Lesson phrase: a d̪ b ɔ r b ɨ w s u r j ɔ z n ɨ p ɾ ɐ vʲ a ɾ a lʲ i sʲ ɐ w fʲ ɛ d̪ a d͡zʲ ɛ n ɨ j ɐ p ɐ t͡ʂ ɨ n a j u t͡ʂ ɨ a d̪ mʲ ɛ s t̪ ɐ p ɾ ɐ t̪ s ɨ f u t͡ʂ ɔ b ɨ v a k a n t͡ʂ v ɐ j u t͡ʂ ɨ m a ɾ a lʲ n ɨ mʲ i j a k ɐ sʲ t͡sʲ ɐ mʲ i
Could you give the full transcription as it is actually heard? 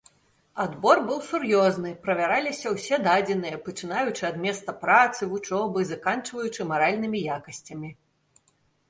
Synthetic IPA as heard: a d̪ b ɔ r b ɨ w s u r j ɔ z n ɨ p ɾ ɐ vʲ a ɾ a lʲ i sʲ ɐ w sʲ ɛ d̪ a d͡zʲ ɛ n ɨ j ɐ p ɐ t͡ʂ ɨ n a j u t͡ʂ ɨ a d̪ mʲ ɛ s t̪ ɐ p ɾ a t̪ s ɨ v u t͡ʂ ɔ b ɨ z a k a n t͡ʂ v ɐ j u t͡ʂ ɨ m a ɾ a lʲ n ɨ mʲ i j a k ɐ sʲ t͡sʲ ɐ mʲ i